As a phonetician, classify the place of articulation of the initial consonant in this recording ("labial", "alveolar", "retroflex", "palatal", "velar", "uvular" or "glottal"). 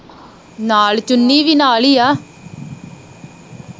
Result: alveolar